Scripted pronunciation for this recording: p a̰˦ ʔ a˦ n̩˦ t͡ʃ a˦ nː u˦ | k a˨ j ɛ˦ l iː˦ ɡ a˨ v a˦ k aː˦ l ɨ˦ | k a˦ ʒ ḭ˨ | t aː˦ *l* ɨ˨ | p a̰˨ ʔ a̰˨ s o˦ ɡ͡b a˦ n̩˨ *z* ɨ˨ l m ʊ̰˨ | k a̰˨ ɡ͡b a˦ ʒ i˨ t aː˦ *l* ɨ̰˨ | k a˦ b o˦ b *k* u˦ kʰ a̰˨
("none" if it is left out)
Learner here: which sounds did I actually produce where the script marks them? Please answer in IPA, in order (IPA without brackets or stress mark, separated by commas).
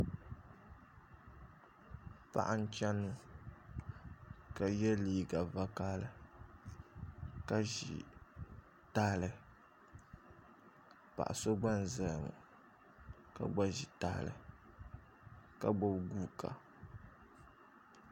l, z, l, ɡ